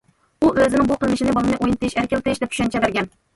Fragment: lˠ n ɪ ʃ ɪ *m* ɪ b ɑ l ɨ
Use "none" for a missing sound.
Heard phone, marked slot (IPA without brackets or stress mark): n